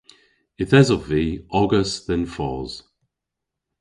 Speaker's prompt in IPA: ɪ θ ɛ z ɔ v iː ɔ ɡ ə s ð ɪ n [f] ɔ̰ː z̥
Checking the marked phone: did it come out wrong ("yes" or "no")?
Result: no